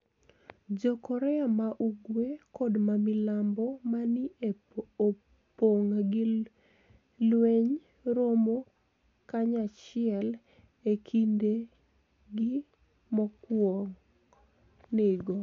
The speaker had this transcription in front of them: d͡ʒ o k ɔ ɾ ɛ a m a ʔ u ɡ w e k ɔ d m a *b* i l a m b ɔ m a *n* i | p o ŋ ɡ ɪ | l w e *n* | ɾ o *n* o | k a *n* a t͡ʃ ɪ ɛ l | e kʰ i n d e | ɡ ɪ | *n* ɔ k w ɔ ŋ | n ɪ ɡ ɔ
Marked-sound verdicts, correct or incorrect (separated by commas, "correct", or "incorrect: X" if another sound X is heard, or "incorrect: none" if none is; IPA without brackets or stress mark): incorrect: m, correct, incorrect: ɲ, incorrect: m, incorrect: ɲ, incorrect: m